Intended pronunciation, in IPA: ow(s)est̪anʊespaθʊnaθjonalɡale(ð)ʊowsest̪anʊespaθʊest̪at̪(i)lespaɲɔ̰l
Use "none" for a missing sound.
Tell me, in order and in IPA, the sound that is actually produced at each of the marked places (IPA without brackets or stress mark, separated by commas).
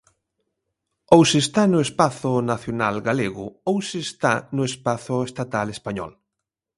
s, ɣ, a